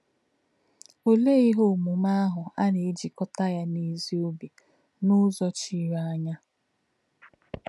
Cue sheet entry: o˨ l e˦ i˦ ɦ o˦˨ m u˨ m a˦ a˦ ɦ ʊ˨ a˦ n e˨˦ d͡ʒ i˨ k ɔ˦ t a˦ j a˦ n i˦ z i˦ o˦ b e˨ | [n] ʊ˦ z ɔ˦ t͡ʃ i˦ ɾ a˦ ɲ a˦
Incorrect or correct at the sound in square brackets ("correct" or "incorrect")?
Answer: correct